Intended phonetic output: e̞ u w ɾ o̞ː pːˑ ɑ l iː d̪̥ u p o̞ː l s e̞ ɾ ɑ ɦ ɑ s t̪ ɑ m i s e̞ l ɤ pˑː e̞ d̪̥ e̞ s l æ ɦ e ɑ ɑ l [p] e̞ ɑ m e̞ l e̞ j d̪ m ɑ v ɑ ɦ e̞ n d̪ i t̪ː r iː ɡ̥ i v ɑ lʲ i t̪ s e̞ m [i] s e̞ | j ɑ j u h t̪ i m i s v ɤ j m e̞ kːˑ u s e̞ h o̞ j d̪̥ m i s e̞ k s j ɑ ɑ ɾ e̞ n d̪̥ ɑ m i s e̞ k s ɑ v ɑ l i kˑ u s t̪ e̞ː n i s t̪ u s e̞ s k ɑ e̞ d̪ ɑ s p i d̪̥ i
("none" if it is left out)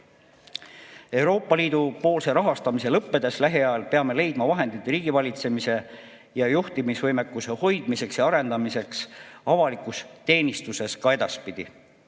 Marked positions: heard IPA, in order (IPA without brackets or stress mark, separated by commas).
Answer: p, i